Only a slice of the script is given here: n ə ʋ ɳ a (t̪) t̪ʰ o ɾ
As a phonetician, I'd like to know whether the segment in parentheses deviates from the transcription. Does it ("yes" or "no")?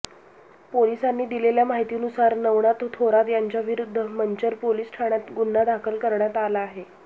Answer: no